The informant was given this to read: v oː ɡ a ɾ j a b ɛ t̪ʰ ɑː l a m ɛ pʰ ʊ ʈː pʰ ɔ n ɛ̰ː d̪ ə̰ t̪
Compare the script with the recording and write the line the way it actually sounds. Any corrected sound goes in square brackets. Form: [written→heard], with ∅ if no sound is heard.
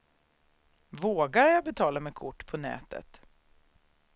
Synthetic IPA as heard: v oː ɡ a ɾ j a b ɛ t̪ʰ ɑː l a m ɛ [pʰ→kʰ] ʊ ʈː pʰ ɔ n ɛ̰ː [d̪→t̪] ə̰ t̪